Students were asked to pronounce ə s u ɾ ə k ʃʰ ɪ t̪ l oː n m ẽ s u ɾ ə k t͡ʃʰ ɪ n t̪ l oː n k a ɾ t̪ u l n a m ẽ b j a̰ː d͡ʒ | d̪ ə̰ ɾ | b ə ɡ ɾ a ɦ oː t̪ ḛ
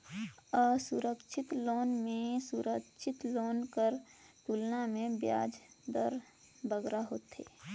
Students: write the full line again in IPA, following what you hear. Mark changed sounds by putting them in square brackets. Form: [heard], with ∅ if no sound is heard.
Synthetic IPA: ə s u ɾ ə k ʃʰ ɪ t̪ l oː n m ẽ s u ɾ ə k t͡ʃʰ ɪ [∅] t̪ l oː n k [ə] ɾ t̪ u l n a m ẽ b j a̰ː d͡ʒ | d̪ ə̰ ɾ | b ə ɡ ɾ a ɦ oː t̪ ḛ